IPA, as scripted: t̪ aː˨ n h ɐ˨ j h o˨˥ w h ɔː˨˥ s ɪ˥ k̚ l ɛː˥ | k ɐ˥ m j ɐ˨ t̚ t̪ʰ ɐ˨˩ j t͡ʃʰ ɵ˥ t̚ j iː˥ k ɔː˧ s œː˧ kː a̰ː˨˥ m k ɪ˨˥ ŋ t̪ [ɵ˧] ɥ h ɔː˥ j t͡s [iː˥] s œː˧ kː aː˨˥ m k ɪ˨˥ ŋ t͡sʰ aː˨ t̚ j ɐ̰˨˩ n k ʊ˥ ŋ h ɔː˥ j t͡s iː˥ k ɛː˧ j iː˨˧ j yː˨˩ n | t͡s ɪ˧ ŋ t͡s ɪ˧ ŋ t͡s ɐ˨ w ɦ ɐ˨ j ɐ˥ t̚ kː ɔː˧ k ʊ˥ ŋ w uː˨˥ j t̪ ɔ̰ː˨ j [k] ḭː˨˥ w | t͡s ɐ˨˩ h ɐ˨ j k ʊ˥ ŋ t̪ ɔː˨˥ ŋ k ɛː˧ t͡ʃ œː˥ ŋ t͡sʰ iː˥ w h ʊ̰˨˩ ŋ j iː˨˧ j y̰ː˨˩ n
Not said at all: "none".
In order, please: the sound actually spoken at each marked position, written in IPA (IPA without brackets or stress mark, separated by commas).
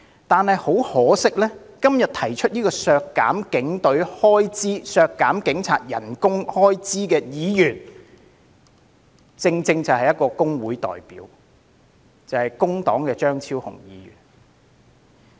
ɵ˨˥, iː˥, p